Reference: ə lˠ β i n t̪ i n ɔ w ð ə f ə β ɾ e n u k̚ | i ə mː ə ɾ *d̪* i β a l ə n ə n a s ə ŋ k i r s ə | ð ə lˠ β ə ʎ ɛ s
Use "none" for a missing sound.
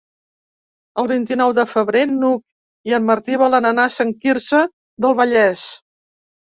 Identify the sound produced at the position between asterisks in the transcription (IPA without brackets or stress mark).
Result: t̪